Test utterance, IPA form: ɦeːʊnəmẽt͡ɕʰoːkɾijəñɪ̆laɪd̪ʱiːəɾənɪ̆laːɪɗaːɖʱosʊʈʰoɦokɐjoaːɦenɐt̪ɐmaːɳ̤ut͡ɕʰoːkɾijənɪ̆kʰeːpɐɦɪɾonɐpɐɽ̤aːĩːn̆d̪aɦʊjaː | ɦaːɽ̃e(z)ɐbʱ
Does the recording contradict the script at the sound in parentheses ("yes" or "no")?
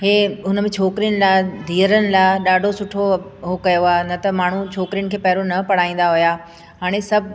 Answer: yes